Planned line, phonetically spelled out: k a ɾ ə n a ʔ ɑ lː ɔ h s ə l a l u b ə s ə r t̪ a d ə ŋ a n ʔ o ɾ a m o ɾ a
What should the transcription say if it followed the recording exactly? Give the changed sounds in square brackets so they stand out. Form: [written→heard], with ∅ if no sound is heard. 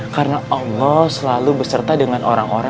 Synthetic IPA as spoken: k a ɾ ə n a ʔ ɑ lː ɔ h s ə l a l u b ə s ə r t̪ a d ə ŋ a n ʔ o ɾ a [m→ŋ] o ɾ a